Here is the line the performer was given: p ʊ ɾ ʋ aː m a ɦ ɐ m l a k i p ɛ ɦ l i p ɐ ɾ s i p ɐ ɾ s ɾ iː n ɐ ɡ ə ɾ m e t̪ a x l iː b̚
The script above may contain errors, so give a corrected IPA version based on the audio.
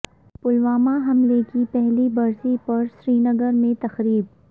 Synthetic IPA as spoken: p ʊ l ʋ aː m a ɦ ɐ m l e k i p ɛ ɦ l i b ɐ ɾ s i p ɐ ɾ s ɾ iː n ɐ ɡ ə ɾ m ẽ t̪ ɐ x ɾ iː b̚

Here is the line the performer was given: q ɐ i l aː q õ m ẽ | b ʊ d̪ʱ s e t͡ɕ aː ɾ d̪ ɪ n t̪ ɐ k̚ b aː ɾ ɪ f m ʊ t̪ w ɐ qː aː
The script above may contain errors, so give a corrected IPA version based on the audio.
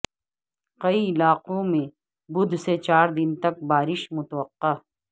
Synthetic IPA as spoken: q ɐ i l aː q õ m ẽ | b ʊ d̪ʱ s e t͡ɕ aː ɾ d̪ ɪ n t̪ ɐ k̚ b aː ɾ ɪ ʃ m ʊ t̪ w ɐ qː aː

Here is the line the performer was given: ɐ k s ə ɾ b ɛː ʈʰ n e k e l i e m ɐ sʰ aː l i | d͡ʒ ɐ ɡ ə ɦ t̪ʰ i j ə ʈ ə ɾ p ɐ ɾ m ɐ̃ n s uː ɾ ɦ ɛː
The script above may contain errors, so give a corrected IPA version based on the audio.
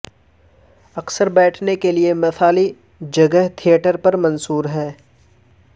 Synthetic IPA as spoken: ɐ k s ə ɾ b ɛː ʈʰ n e k e l i e m ɐ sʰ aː l i | d͡ʒ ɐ ɡ ə ɦ t̪ʰ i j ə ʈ ə ɾ p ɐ ɾ m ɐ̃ n s uː ɾ ɦ ɛː

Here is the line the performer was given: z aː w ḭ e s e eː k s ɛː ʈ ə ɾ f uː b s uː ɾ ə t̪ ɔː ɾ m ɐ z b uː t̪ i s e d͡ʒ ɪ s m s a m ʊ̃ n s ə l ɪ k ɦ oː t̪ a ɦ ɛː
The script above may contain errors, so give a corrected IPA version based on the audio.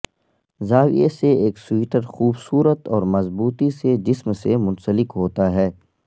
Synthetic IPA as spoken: z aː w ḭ e s e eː k s iː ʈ ə ɾ x uː b s uː ɾ ə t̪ ɔː ɾ m ɐ z b uː t̪ i s e d͡ʒ ɪ s m s e m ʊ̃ n s ə l ɪ k ɦ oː t̪ a ɦ ɛː

